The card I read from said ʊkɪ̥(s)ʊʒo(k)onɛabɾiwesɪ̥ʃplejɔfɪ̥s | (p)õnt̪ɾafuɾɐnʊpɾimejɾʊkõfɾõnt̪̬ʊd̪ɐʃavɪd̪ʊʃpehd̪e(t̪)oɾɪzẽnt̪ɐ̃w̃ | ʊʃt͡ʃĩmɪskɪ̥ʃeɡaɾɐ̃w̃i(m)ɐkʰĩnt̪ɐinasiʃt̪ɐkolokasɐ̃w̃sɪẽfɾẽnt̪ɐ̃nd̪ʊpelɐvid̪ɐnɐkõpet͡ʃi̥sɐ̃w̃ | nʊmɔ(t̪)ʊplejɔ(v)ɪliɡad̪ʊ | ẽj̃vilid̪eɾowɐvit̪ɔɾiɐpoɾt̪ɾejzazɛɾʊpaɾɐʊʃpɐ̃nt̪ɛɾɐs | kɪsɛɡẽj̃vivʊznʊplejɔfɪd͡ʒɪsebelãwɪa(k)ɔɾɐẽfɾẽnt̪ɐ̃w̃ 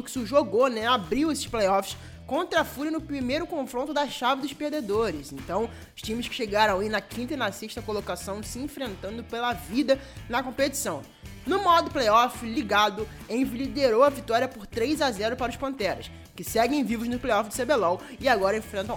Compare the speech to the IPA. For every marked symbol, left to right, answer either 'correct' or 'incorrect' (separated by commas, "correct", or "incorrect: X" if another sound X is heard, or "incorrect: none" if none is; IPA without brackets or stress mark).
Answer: correct, incorrect: ɡ, incorrect: k, incorrect: d̪, incorrect: n, incorrect: d̪, incorrect: f, incorrect: ɡ